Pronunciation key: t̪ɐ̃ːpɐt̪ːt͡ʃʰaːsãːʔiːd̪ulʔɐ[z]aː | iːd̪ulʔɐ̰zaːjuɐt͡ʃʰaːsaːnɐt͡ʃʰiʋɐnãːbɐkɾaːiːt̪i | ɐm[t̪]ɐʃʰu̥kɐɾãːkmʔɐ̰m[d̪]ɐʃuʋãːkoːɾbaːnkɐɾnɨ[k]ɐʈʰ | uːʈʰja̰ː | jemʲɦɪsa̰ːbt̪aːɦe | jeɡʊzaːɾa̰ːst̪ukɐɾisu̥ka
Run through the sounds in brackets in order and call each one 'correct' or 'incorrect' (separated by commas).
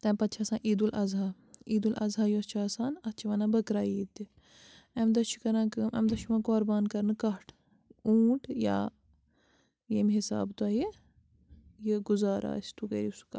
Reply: correct, incorrect, correct, correct